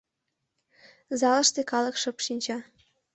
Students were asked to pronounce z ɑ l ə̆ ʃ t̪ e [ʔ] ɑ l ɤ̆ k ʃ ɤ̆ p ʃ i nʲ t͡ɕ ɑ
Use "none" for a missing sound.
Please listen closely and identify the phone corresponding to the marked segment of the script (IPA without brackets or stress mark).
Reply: k